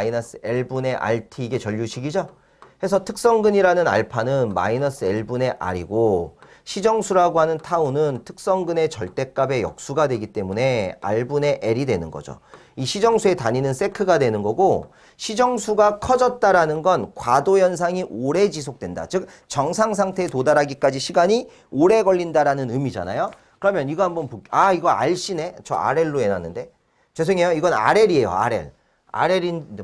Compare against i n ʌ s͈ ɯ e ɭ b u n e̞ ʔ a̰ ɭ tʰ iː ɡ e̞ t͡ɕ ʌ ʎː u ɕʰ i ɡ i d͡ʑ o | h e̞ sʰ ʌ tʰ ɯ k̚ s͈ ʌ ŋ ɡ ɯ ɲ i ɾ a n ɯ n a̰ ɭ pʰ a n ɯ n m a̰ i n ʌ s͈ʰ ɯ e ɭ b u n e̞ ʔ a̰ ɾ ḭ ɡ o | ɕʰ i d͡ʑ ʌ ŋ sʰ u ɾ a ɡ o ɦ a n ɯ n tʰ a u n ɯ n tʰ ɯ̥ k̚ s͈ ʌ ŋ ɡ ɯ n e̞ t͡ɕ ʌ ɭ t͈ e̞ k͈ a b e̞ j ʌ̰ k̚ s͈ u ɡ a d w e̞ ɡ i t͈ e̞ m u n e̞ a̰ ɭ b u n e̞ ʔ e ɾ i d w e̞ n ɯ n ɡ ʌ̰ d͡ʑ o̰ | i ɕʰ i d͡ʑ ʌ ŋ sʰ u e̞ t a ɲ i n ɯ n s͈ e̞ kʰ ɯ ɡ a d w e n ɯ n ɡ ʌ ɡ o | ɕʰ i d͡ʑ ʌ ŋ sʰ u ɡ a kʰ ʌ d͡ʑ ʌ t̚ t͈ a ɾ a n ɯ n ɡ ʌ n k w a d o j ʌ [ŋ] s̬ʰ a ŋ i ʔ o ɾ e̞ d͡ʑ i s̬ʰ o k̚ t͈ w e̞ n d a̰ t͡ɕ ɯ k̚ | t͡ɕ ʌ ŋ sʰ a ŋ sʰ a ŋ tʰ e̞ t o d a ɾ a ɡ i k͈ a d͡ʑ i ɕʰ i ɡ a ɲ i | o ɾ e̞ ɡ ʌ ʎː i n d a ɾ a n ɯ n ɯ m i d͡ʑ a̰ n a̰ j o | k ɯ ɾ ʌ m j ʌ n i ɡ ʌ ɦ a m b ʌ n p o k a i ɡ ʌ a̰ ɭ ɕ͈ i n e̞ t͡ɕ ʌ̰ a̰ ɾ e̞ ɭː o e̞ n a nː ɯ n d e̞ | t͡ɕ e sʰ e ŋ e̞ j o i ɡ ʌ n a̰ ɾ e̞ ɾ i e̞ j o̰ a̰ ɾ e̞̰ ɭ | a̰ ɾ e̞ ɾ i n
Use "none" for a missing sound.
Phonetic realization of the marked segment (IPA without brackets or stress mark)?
n